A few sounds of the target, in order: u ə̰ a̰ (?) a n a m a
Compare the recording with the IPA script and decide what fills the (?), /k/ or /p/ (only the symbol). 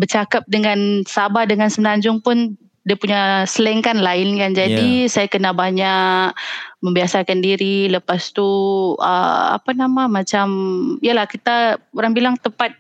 p